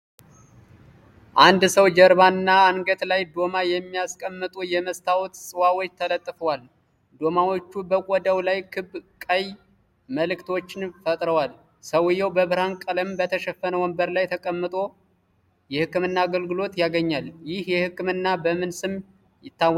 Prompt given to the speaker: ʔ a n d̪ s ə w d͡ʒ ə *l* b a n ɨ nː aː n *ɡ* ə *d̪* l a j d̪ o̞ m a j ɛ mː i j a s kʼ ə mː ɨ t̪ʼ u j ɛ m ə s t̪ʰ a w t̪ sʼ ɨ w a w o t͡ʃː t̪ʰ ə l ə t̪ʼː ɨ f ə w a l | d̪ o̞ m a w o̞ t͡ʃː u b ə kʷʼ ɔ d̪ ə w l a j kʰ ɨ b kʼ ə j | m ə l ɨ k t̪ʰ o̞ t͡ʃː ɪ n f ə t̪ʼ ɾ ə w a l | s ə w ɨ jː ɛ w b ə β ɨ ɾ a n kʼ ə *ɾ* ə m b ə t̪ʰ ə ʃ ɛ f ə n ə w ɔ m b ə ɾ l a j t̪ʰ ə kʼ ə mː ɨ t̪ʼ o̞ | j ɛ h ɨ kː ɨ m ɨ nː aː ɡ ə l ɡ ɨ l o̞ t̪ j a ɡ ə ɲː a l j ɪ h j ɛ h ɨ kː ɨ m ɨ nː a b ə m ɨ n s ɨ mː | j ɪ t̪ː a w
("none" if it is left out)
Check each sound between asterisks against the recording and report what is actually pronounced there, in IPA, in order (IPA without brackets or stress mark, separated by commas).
ɾ, ɡ, t̪, l